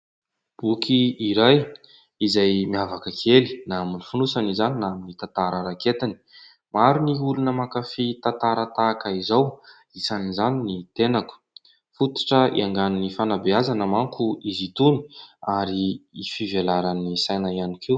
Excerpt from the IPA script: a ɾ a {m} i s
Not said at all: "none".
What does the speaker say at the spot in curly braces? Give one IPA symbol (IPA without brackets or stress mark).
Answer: n